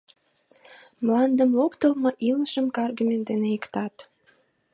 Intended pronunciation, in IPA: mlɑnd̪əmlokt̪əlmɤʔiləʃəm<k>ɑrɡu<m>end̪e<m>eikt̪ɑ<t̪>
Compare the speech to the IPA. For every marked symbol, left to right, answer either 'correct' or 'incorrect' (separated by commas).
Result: correct, correct, incorrect, correct